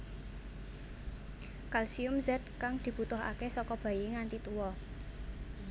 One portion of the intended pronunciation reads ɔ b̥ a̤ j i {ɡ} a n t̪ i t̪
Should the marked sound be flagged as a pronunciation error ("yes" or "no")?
yes